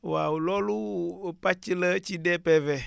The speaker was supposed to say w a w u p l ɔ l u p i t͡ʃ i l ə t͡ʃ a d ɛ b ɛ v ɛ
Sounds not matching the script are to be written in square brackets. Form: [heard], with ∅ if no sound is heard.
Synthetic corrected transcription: w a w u [∅] l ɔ l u p [a] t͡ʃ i l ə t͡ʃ [i] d ɛ [p] ɛ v ɛ